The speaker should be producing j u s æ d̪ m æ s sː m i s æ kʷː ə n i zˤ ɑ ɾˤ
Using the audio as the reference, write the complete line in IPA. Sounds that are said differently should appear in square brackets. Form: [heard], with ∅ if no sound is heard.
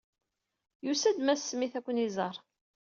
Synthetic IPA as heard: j u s æ d̪ m æ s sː m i [θ] æ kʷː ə n i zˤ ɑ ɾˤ